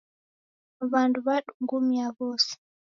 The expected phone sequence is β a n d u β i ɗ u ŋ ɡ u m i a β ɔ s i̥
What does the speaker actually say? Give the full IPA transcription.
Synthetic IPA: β a n d u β a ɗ u ŋ ɡ u m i a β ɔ s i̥